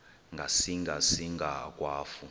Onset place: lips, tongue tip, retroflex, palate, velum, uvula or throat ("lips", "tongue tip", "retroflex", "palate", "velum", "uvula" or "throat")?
velum